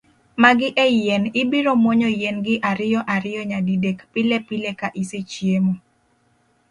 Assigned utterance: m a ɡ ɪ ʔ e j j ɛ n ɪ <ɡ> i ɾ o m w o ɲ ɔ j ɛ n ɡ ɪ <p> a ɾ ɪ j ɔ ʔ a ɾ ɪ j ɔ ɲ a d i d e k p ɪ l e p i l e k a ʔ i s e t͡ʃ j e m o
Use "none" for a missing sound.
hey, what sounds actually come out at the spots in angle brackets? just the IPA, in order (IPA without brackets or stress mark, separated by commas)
b, ʔ